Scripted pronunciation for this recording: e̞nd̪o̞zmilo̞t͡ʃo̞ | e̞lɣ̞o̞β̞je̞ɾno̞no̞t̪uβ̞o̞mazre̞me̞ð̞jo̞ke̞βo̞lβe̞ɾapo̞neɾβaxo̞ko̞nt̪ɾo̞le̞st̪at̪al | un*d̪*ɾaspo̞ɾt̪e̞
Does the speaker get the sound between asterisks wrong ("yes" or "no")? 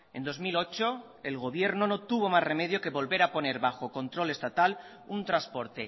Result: yes